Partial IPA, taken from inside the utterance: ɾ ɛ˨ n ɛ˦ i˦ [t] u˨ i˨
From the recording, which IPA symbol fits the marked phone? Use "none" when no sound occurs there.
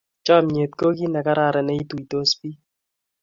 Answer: t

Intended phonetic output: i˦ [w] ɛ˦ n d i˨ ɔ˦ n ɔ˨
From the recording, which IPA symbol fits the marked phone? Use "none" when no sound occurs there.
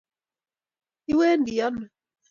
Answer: w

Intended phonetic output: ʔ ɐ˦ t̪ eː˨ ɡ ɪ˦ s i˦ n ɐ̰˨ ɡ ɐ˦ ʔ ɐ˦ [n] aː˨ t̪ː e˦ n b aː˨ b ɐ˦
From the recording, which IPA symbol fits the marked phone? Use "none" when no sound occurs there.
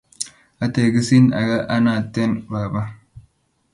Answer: n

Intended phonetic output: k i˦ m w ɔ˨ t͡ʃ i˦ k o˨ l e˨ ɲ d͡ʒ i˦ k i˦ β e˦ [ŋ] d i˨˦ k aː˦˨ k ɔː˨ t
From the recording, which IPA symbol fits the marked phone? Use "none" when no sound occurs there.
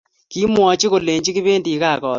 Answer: n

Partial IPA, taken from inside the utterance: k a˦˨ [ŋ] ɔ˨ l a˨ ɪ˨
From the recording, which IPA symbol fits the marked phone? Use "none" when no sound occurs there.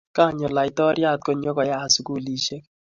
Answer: ɲ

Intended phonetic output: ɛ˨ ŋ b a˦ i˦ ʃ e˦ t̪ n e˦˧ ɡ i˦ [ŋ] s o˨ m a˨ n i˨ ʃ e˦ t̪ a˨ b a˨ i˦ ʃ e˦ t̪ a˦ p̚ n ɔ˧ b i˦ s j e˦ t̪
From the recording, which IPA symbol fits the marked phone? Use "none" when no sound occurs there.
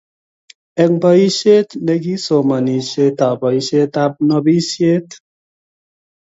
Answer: none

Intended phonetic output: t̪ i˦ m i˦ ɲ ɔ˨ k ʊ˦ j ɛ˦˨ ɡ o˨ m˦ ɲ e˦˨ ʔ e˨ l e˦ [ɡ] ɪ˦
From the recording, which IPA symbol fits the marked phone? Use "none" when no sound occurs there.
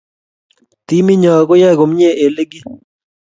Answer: ɡ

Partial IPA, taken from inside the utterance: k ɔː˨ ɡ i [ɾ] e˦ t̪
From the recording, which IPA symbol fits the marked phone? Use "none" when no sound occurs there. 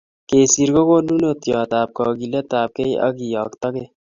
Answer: l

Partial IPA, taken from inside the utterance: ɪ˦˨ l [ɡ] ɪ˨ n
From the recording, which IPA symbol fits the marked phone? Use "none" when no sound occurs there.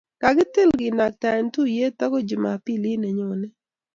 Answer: ɡ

